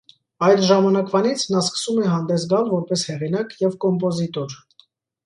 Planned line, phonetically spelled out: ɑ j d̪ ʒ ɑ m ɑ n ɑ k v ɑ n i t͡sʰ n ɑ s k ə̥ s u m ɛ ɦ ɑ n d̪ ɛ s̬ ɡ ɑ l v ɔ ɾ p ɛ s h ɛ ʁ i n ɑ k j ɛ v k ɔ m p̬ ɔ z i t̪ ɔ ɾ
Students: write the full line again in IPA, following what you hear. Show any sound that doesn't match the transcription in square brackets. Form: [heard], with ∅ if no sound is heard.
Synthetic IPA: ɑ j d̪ ʒ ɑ m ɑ n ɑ k v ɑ n i t͡sʰ n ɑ s k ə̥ s u m ɛ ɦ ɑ n d̪ ɛ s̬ ɡ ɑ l v ɔ ɾ p ɛ s h ɛ ʁ i n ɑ k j ɛ v k ɔ m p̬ ɔ z i t̪ ɔ ɾ